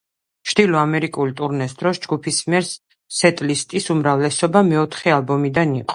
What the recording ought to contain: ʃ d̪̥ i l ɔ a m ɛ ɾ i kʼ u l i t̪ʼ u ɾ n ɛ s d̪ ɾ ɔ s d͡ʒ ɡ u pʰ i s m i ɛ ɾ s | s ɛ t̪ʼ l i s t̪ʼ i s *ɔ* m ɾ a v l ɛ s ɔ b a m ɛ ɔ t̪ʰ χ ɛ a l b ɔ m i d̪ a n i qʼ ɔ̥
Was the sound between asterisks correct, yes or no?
no